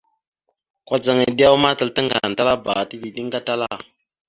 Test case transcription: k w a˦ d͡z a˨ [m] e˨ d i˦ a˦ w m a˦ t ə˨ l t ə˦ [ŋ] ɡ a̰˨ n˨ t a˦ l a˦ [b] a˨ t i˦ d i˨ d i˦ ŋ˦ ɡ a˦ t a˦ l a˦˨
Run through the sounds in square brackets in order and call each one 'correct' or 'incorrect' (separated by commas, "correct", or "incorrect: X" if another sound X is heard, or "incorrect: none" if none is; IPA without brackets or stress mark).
incorrect: ŋ, correct, correct